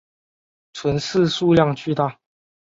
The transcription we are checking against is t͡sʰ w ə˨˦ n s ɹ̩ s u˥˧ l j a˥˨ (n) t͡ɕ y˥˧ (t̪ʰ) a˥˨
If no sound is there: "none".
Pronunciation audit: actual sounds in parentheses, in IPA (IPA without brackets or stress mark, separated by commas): ŋ, t̪